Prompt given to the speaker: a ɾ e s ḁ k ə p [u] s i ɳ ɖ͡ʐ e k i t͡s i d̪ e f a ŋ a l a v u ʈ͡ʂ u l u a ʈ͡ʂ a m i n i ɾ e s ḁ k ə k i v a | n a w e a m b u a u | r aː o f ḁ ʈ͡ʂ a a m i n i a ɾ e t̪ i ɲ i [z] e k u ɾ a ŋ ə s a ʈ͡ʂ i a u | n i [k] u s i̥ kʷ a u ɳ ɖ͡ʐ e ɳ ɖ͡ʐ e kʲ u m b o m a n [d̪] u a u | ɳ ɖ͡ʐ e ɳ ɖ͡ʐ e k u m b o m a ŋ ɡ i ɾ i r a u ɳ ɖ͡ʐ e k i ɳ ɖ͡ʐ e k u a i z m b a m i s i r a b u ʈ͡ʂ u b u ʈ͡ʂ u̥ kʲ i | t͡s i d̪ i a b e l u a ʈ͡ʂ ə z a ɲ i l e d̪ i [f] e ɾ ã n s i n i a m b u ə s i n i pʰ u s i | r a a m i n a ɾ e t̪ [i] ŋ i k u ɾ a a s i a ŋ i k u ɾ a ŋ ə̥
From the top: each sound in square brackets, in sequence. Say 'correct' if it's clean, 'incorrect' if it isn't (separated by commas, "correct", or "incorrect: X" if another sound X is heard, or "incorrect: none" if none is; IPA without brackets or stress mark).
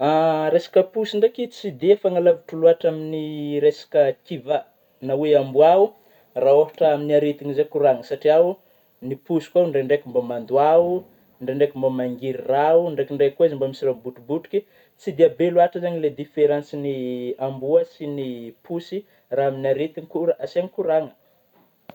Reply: correct, correct, incorrect: p, correct, correct, correct